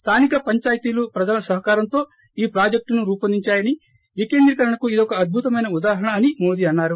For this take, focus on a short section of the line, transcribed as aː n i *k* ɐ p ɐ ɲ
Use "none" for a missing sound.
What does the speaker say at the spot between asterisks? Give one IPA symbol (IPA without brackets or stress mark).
k